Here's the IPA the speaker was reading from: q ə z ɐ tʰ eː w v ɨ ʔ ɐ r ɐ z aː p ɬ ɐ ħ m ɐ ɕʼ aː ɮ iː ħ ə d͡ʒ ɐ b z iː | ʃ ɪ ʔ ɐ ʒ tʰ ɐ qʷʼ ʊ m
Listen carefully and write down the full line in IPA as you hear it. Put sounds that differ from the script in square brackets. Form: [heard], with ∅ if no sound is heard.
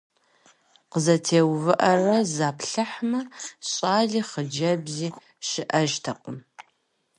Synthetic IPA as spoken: q ə z ɐ tʰ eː w v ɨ ʔ ɐ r ɐ z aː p ɬ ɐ ħ m ɐ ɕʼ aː ɮ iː [χ] ə d͡ʒ ɐ b z iː | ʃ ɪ ʔ ɐ ʒ tʰ ɐ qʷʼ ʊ m